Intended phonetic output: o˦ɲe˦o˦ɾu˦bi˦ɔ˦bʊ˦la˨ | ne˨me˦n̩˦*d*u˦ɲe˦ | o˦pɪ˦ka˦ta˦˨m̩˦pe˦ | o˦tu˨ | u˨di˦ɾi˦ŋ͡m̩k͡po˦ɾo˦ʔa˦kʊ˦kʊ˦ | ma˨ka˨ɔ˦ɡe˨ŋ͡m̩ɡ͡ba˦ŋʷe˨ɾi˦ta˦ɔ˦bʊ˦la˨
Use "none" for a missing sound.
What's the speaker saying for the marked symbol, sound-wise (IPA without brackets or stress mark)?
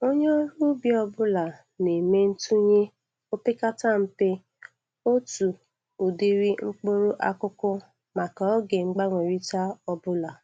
t